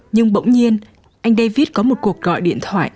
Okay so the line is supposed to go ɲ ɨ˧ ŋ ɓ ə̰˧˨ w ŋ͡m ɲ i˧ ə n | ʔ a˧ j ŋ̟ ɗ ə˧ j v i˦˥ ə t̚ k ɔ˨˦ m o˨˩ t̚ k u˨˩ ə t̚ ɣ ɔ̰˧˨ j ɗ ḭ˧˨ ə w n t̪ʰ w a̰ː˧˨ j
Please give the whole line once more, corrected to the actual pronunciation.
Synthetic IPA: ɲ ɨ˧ ŋ ɓ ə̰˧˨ w ŋ͡m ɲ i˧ ə n | ʔ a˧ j ŋ̟ ɗ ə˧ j v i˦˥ ə t̚ k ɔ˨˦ m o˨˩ t̚ k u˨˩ ə k̚ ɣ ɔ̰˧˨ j ɗ ḭ˧˨ ə n t̪ʰ w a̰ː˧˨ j